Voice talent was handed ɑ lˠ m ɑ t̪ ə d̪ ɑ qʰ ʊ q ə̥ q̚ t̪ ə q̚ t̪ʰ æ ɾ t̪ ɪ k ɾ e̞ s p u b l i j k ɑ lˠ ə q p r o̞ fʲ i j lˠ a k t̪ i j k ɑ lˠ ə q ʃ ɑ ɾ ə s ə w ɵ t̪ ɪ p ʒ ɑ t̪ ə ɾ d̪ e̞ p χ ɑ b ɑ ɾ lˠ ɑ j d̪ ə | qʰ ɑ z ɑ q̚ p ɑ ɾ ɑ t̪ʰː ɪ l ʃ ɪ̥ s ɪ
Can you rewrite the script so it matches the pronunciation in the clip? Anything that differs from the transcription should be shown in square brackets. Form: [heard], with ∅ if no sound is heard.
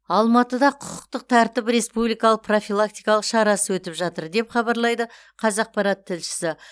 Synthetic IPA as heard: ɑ lˠ m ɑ t̪ ə d̪ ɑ qʰ ʊ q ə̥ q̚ t̪ ə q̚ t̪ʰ æ ɾ t̪ ɪ [p] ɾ e̞ s p u b l i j k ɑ lˠ ə q p r o̞ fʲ i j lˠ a k t̪ i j k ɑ lˠ ə q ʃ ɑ ɾ [ɑ] s ə w ɵ t̪ ɪ p ʒ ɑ t̪ ə ɾ d̪ e̞ p χ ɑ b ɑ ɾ lˠ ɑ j d̪ ə | qʰ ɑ z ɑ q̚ p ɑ ɾ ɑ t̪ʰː ɪ l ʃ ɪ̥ s ɪ